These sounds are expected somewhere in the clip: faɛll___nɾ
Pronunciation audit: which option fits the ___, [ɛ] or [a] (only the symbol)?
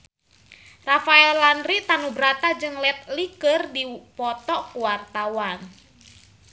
a